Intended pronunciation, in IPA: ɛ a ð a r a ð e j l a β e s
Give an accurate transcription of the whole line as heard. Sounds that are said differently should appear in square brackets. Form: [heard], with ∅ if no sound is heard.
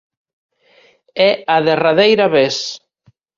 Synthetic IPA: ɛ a ð [e] r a ð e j [ɾ] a β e s